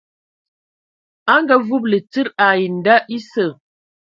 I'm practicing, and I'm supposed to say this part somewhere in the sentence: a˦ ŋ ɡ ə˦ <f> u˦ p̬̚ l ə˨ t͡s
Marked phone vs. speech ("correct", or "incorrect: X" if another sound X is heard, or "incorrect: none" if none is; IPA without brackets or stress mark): incorrect: v